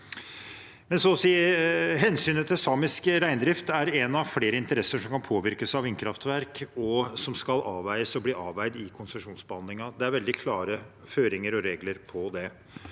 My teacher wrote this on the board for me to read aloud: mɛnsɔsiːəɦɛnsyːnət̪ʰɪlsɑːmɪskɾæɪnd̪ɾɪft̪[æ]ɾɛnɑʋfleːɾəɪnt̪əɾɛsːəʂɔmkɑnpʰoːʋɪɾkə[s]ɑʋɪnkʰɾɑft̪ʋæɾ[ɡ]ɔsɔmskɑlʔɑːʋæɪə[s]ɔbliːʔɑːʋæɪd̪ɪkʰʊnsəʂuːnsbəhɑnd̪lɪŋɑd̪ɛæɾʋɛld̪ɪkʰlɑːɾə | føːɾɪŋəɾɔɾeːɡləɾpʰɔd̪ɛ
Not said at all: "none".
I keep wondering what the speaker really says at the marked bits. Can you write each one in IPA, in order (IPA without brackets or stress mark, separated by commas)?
æ, s, k, s